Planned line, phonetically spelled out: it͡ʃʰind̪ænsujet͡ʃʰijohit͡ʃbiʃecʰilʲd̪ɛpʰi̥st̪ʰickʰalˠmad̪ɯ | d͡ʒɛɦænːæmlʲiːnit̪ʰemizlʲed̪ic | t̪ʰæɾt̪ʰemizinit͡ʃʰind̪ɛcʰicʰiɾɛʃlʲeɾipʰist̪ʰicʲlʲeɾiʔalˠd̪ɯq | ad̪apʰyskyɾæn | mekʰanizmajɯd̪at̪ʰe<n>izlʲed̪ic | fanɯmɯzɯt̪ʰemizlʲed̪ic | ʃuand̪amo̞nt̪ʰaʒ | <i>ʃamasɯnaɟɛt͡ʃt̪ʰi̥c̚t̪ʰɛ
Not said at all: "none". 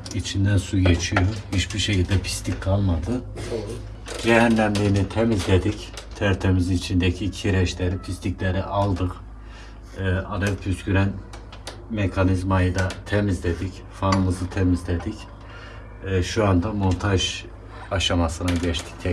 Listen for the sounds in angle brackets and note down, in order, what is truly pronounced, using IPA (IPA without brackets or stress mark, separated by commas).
m, a